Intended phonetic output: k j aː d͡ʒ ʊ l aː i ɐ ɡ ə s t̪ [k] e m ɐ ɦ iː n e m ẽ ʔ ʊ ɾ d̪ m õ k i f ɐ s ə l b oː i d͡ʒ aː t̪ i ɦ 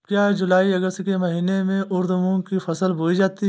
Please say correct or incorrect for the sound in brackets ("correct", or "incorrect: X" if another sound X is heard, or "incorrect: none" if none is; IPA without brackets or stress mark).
correct